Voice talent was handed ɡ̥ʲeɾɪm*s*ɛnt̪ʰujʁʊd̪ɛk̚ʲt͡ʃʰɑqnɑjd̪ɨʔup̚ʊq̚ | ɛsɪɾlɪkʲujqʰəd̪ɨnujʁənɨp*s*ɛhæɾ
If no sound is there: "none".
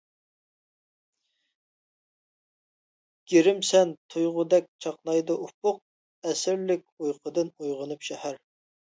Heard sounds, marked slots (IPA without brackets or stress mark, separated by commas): s, ʃ